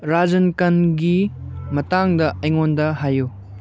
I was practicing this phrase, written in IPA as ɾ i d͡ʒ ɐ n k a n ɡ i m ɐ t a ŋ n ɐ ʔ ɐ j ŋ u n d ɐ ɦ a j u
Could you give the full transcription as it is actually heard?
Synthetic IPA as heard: ɾ a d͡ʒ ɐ n k ɐ n ɡ i m ɐ t a ŋ d ɐ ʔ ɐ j ŋ o n d ɐ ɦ a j u